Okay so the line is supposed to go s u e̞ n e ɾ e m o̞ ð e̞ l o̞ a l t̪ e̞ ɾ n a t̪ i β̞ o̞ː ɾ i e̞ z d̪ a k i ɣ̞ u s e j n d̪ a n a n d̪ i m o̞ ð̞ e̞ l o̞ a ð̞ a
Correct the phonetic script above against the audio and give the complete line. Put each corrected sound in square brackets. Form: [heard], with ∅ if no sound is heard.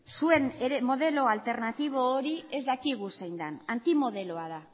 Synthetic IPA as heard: s u e̞ n e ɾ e m o̞ ð e̞ l o̞ a l t̪ e̞ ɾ n a t̪ i β̞ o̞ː ɾ i e̞ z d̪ a k i ɣ̞ u s e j n d̪ a n a n [t̪] i m o̞ ð̞ e̞ l o̞ a ð̞ a